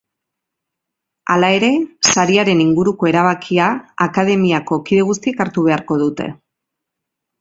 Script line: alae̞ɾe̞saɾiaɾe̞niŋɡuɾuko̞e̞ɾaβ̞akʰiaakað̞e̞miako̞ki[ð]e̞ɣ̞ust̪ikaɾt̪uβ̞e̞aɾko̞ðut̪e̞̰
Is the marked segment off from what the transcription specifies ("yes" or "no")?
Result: no